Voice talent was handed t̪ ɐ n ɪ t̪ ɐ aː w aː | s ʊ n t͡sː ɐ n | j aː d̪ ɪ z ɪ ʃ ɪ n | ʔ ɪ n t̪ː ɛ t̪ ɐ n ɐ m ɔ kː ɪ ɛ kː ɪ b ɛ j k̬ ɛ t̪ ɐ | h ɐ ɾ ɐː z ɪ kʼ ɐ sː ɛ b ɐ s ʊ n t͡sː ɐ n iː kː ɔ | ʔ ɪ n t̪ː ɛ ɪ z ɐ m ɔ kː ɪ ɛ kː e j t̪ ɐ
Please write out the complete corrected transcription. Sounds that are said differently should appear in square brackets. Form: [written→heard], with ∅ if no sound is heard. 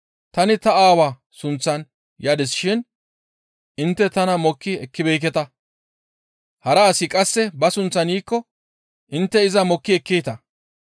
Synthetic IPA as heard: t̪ ɐ n ɪ t̪ ɐ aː w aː | s ʊ n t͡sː ɐ n | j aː d̪ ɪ [z→s] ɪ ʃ ɪ n | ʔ ɪ n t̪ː ɛ t̪ ɐ n ɐ m ɔ kː ɪ ɛ kː ɪ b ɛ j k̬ ɛ t̪ ɐ | h ɐ ɾ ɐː [z→s] ɪ kʼ ɐ sː ɛ b ɐ s ʊ n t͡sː ɐ n iː kː ɔ | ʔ ɪ n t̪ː ɛ ɪ z ɐ m ɔ kː ɪ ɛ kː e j t̪ ɐ